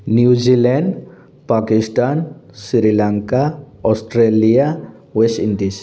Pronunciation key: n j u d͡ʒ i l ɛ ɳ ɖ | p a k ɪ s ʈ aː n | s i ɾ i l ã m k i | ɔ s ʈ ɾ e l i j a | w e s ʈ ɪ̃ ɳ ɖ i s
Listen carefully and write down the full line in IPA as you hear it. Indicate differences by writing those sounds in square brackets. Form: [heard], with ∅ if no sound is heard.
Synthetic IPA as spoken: n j u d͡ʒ i l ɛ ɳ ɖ | p a k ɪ s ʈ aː n | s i ɾ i l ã [ŋ] k [a] | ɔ s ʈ ɾ e l i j a | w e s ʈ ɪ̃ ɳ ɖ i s